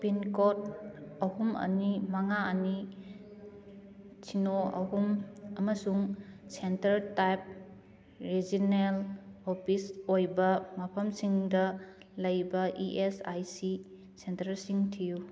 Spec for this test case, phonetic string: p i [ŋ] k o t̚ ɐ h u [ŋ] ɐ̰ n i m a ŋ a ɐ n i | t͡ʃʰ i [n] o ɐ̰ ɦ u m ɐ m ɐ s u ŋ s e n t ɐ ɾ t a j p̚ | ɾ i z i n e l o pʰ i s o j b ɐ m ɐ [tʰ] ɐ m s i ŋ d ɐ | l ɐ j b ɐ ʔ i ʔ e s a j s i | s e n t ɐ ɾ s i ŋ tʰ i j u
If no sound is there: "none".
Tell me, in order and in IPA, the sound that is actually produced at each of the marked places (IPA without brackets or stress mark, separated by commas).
n, m, n, pʰ